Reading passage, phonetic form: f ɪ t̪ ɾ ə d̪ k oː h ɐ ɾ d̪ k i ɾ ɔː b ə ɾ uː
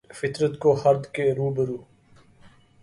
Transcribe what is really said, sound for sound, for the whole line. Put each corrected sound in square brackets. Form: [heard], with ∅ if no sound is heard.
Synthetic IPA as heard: f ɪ t̪ ɾ ə [t̪] k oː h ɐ ɾ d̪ k [e] ɾ [uː] b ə ɾ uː